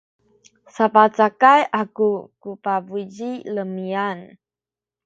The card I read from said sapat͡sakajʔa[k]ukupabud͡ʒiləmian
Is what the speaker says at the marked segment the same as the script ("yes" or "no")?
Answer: yes